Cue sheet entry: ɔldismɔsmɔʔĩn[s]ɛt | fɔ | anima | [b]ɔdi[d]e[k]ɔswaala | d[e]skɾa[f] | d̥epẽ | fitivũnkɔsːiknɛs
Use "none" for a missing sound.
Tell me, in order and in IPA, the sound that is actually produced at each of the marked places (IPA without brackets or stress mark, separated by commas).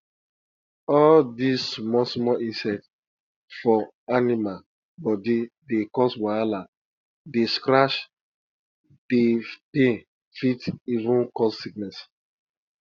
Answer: s, b, d, k, e, ʃ